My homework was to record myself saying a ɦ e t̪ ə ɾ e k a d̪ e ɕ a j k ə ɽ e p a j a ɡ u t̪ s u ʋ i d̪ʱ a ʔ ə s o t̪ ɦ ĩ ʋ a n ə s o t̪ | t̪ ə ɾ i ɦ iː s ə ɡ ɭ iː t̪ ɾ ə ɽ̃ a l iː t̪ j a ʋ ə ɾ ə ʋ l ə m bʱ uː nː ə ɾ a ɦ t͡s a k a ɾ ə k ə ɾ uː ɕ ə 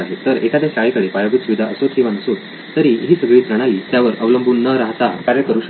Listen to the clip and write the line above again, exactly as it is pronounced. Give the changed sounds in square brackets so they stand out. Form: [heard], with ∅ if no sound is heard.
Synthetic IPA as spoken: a ɦ e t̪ ə ɾ e k a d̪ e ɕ a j k ə ɽ e p a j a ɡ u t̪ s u ʋ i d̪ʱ a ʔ ə s o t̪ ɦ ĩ ʋ a n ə s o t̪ | t̪ ə ɾ i ɦ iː s ə ɡ ɭ iː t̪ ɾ ə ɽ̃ a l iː t̪ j a ʋ ə ɾ ə ʋ l ə m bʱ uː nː ə ɾ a ɦ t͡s a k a ɾ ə k ə ɾ uː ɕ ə